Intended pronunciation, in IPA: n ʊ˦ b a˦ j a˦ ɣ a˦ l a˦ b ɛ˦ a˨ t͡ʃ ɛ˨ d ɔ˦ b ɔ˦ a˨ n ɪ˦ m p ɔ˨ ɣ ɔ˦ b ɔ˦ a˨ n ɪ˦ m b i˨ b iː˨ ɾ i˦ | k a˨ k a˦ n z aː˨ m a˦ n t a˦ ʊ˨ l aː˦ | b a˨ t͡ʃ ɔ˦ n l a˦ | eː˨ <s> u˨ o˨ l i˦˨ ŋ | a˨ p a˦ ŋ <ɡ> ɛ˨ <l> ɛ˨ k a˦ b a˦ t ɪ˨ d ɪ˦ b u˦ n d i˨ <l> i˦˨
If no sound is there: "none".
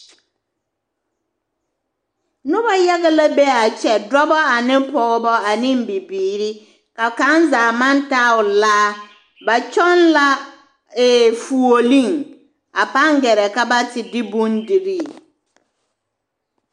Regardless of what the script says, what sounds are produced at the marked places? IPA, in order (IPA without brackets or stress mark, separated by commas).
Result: f, ɡ, ɾ, ɾ